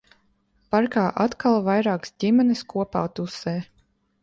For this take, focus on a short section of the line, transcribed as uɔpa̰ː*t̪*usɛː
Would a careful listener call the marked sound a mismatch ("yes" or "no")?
no